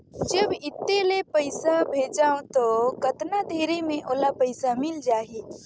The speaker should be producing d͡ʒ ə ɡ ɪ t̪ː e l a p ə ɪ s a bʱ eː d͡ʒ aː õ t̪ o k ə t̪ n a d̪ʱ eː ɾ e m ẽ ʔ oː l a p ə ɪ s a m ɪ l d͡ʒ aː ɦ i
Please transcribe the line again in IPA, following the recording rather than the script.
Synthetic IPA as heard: d͡ʒ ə b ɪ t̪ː e l e p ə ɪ s a bʱ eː d͡ʒ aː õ t̪ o k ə t̪ n a d̪ʱ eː ɾ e m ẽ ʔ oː l a p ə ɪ s a m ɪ l d͡ʒ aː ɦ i